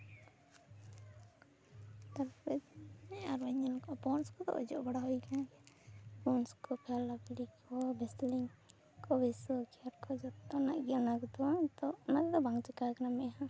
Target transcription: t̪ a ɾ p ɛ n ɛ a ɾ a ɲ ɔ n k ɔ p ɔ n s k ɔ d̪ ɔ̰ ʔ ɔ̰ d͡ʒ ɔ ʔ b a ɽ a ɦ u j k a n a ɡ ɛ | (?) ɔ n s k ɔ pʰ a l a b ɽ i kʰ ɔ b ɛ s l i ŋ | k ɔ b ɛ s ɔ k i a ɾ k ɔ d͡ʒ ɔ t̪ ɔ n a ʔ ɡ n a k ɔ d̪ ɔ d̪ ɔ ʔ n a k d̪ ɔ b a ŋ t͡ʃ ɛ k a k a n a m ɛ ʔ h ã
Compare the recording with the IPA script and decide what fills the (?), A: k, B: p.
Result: B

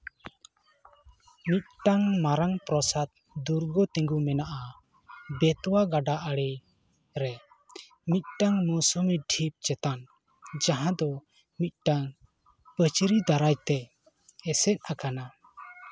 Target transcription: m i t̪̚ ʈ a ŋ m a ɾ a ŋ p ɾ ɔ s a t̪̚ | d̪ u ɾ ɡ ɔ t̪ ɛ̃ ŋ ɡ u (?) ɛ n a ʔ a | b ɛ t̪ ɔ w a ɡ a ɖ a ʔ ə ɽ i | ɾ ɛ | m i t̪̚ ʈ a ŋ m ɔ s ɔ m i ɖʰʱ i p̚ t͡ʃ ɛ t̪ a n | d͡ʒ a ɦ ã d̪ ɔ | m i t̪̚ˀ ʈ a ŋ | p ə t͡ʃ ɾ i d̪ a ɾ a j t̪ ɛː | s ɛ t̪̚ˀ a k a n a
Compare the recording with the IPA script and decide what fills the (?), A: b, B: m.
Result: B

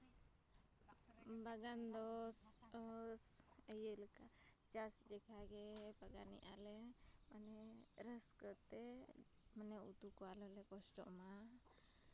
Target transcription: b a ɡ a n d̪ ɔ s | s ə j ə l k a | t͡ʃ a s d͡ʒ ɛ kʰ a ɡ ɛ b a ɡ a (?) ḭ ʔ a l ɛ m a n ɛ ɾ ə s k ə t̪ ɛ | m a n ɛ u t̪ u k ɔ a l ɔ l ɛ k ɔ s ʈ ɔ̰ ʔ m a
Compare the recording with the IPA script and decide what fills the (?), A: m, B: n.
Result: B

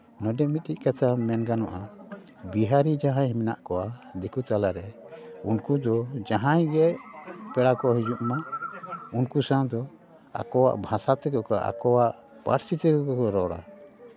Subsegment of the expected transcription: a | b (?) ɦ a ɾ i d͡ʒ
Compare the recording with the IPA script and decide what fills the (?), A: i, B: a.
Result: A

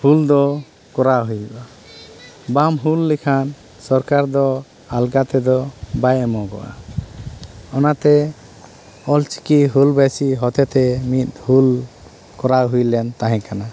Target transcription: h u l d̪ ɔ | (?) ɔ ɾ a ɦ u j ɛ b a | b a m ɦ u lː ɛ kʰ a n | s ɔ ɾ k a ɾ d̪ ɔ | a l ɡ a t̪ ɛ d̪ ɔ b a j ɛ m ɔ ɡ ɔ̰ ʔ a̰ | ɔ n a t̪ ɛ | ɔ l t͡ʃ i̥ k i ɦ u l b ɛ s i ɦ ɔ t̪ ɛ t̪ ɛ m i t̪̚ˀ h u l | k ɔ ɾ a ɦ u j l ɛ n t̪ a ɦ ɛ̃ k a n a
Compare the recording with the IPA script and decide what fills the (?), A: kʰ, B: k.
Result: B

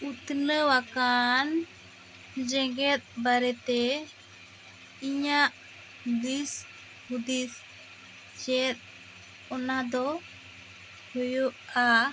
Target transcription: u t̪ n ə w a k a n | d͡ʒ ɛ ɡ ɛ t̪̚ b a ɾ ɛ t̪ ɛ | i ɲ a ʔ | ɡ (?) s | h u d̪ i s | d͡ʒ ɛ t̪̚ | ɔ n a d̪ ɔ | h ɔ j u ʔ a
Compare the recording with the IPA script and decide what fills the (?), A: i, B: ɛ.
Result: A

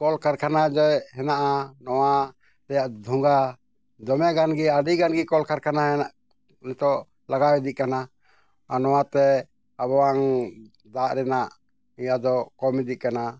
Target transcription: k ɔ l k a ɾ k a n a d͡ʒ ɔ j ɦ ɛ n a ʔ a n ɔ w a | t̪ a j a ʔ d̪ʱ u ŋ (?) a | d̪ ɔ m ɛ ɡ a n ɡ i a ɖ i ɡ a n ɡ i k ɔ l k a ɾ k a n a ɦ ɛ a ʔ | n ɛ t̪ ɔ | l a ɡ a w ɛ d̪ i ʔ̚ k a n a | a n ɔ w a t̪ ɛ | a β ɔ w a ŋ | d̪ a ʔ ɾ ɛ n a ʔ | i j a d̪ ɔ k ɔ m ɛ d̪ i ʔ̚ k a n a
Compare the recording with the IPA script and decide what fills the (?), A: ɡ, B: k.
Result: A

